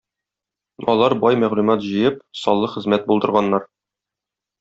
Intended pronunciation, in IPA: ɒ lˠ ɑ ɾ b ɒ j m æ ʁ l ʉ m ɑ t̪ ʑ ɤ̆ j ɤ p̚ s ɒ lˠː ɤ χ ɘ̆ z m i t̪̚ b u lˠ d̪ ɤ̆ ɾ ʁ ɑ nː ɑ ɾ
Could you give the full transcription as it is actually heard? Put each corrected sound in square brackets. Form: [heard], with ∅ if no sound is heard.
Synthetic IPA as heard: ɒ lˠ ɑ ɾ b ɒ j m æ ʁ l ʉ m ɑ t̪ ʑ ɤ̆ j ɤ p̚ s ɒ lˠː ɤ χ ɘ̆ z m [æ] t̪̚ b u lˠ d̪ ɤ̆ ɾ ʁ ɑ nː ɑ ɾ